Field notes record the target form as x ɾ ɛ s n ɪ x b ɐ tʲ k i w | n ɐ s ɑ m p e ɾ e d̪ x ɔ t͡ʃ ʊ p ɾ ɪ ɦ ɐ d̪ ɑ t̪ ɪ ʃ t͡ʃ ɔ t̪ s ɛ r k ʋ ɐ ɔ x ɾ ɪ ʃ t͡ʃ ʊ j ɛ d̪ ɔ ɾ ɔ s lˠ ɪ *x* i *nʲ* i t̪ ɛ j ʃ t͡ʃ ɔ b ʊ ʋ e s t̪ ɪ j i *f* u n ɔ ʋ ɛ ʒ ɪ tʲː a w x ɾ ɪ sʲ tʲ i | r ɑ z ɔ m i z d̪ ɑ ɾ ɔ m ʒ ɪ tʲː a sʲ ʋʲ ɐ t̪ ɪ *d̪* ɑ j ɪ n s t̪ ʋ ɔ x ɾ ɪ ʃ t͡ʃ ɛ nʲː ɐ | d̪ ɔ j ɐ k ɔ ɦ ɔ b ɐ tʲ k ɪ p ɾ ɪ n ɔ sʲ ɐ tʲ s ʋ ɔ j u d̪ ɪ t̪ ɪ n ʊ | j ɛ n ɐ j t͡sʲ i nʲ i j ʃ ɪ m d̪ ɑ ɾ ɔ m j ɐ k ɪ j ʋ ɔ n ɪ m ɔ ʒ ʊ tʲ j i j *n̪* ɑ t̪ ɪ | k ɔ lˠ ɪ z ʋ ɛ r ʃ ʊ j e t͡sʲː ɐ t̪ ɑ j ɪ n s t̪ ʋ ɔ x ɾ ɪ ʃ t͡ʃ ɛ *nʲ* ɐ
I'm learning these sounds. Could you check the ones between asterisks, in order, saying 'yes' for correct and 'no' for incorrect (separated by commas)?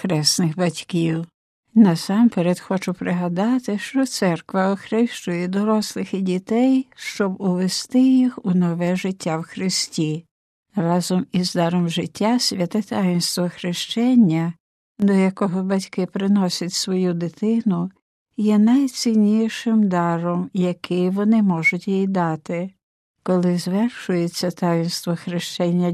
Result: yes, no, no, no, no, no